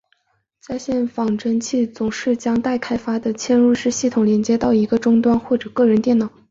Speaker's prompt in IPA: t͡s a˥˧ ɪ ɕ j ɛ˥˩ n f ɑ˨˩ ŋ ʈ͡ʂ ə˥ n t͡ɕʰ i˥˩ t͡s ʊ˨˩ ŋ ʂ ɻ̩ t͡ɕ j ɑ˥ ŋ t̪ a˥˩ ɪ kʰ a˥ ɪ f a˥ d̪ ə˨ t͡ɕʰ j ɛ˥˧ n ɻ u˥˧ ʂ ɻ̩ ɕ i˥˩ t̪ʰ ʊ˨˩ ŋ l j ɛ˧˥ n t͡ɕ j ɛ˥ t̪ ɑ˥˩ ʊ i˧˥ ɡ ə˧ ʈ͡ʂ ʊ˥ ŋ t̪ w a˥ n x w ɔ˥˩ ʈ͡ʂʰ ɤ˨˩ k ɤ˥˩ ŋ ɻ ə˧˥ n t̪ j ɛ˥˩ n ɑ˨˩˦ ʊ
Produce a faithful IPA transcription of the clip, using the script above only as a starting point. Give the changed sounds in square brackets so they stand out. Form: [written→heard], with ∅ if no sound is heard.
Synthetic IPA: t͡s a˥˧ ɪ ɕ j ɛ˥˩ n f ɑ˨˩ ŋ ʈ͡ʂ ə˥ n t͡ɕʰ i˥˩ t͡s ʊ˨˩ ŋ ʂ ɻ̩ t͡ɕ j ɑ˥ ŋ t̪ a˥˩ ɪ kʰ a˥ ɪ f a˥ d̪ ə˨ t͡ɕʰ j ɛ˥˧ n ɻ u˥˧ ʂ ɻ̩ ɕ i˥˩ t̪ʰ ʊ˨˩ ŋ l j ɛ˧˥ n t͡ɕ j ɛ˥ t̪ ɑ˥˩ ʊ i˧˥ ɡ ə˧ ʈ͡ʂ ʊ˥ ŋ t̪ w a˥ n x w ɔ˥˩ [ʈ͡ʂʰ→ʈ͡ʂ] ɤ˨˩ k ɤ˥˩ [ŋ→∅] ɻ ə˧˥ n t̪ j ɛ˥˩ n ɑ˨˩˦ ʊ